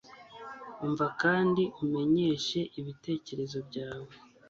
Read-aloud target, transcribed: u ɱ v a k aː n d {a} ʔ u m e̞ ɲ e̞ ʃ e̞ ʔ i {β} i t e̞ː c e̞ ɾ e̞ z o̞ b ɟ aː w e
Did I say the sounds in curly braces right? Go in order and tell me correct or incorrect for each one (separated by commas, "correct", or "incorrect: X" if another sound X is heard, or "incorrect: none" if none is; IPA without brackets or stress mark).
incorrect: i, correct